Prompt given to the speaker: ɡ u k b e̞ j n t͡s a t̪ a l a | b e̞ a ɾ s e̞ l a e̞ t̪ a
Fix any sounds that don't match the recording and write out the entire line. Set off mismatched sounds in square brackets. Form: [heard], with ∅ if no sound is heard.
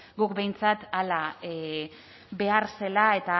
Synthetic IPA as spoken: ɡ u k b e̞ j n t͡s a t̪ a l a | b e̞ a ɾ s e̞ l a e̞ t̪ a

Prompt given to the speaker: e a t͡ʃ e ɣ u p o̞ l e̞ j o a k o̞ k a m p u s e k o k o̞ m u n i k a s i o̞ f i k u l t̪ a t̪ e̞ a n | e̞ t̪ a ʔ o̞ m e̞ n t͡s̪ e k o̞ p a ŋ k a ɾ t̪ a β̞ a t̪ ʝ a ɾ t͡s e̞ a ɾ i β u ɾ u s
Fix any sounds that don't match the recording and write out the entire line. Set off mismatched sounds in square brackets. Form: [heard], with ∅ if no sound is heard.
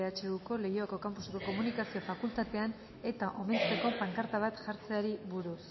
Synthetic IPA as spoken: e a t͡ʃ e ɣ u [k] o̞ l e̞ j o a k o̞ k a m p u s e k o k o̞ m u n i k a s i o̞ f [a] k u l t̪ a t̪ e̞ a n | e̞ t̪ a ʔ o̞ m e̞ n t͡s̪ e k o̞ p a ŋ k a ɾ t̪ a β̞ a t̪ ʝ a ɾ t͡s e̞ a ɾ i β u ɾ u s

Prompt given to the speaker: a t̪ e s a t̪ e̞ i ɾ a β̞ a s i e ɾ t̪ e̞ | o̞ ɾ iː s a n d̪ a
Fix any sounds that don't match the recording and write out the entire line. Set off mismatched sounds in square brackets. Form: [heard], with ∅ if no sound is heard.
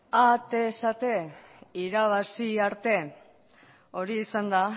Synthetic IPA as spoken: a t̪ e s a t̪ e̞ i ɾ a β̞ a s i [a] ɾ t̪ e̞ | o̞ ɾ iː s a n d̪ a

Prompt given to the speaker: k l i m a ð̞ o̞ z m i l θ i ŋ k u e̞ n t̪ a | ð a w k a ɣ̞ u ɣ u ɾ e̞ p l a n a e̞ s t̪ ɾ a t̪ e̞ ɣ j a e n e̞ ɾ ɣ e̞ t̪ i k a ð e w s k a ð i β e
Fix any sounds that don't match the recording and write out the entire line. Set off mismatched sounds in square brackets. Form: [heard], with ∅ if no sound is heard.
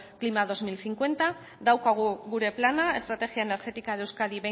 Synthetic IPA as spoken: k l i m a ð̞ o̞ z m i l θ i ŋ k [w] e̞ n t̪ a | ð a w k a ɣ̞ u ɣ u ɾ e̞ p l a n a e̞ s t̪ ɾ a t̪ e̞ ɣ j a e n e̞ ɾ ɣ e̞ t̪ i k a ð e w s k a ð i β e

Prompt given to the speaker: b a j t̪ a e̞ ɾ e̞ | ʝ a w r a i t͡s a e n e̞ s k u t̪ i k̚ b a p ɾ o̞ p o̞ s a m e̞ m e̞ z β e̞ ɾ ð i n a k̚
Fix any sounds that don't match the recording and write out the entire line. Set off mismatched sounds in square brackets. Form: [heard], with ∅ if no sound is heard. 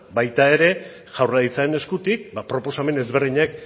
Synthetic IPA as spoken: b a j t̪ a e̞ ɾ e̞ | ʝ a w r a i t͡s a e n e̞ s k u t̪ i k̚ b a p ɾ o̞ p o̞ s a m e̞ [n] e̞ z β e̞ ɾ ð i [ɲ] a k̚

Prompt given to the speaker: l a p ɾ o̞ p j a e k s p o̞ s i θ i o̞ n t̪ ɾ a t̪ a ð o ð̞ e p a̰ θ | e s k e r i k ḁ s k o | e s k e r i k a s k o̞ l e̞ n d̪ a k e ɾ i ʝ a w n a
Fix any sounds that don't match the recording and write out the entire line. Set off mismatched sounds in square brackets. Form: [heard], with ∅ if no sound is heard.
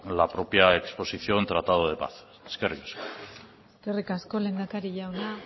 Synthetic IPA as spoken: l a p ɾ o̞ p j a e k s p o̞ s i θ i o̞ n t̪ ɾ a t̪ a ð o ð̞ e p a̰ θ | e s k e r i k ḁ s k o | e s k e r i k a s k o̞ l e̞ n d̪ a k [a] ɾ i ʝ a w n a

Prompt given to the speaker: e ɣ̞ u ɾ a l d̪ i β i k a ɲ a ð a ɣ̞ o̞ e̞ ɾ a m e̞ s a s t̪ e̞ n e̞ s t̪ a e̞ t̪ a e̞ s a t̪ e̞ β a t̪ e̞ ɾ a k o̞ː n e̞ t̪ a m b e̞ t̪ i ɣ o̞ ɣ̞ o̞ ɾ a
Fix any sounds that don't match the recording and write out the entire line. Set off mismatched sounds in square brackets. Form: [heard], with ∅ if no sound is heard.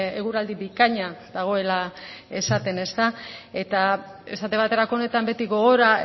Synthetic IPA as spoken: e ɣ̞ u ɾ a l d̪ i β i k a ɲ a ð a ɣ̞ o̞ e̞ [l] a [∅] e̞ s a [∅] t̪ e̞ n e̞ s t̪ a e̞ t̪ a e̞ s a t̪ e̞ β a t̪ e̞ ɾ a k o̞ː n e̞ t̪ a m b e̞ t̪ i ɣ o̞ ɣ̞ o̞ ɾ a

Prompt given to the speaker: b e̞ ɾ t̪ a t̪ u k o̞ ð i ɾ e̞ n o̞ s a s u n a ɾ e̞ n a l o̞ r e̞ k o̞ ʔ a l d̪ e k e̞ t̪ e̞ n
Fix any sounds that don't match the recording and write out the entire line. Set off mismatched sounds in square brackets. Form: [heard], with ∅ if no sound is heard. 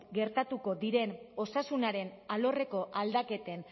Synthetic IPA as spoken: [ɡ] e̞ ɾ t̪ a t̪ u k o̞ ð i ɾ e̞ n o̞ s a s u n a ɾ e̞ n a l o̞ r e̞ k o̞ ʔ a l d̪ [a] k e̞ t̪ e̞ n

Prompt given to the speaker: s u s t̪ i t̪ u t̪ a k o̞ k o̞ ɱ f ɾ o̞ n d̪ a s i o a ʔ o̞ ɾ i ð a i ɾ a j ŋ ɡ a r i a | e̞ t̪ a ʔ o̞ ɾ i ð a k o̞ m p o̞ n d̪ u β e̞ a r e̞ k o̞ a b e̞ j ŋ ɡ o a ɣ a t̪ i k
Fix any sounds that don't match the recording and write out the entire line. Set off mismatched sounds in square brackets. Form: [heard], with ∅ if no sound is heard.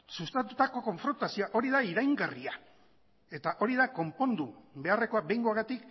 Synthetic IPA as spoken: s u s t̪ [a] t̪ u t̪ a k o̞ k o̞ ɱ f ɾ o̞ n [t̪] a s i o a ʔ o̞ ɾ i ð a i ɾ a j ŋ ɡ a r i a | e̞ t̪ a ʔ o̞ ɾ i ð a k o̞ m p o̞ n d̪ u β e̞ a r e̞ k o̞ a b e̞ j ŋ ɡ o a ɣ a t̪ i k

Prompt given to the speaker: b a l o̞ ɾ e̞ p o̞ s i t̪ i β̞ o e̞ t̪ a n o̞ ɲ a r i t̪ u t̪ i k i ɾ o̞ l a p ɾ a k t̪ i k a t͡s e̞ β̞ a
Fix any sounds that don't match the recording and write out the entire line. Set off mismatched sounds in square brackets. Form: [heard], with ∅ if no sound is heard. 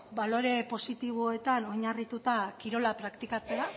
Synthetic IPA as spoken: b a l o̞ ɾ e̞ p o̞ s i t̪ i β̞ o e̞ t̪ a n o̞ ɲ a r i t̪ u t̪ [a] k i ɾ o̞ l a p ɾ a k t̪ i k a t͡s e̞ [∅] a

